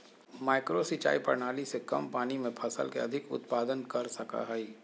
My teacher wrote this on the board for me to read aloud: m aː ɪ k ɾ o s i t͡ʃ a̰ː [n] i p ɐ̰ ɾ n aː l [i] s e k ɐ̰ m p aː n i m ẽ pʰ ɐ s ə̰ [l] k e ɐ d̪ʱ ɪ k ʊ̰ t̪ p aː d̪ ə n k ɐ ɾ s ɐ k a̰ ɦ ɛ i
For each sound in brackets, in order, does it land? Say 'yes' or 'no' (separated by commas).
no, yes, yes